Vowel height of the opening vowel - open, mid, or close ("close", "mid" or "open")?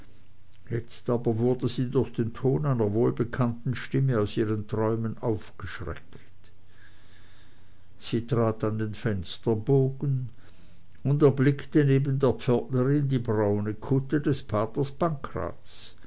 mid